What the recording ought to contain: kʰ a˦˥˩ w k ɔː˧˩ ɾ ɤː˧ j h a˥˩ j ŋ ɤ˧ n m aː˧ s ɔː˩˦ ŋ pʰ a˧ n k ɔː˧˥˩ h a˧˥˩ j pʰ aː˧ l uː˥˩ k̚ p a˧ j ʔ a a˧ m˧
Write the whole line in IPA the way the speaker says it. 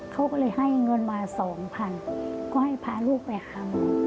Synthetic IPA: kʰ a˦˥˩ w k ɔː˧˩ l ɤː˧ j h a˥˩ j ŋ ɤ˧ n m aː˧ s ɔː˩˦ ŋ pʰ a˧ n k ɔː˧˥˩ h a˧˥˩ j pʰ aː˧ l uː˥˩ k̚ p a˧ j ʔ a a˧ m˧